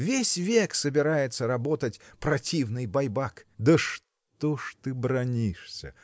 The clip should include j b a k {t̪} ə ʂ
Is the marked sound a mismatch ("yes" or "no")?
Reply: yes